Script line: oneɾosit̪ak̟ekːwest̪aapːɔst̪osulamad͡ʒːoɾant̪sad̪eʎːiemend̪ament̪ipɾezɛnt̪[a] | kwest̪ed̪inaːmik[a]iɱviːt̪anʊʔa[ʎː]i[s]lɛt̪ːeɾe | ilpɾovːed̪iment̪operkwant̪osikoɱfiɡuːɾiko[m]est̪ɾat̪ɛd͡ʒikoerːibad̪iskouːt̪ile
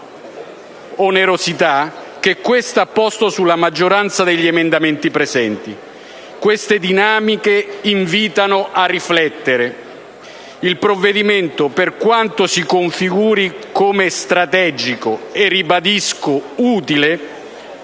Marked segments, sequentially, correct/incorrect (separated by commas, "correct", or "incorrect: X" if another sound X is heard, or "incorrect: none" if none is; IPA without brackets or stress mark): incorrect: i, incorrect: e, incorrect: rː, incorrect: f, correct